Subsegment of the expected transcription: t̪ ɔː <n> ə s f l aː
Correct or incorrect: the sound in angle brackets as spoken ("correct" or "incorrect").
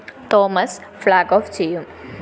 incorrect